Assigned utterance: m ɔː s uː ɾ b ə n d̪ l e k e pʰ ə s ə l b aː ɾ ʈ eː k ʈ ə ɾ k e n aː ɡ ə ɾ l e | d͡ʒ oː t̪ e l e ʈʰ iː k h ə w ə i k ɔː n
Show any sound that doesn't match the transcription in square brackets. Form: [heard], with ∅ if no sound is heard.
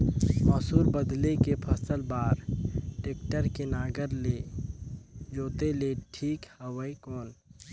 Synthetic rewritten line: m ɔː s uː ɾ b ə [∅] d̪ l e k e pʰ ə s ə l b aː ɾ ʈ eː k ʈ ə ɾ k e n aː ɡ ə ɾ l e | d͡ʒ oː t̪ e l e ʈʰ iː k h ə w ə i k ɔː n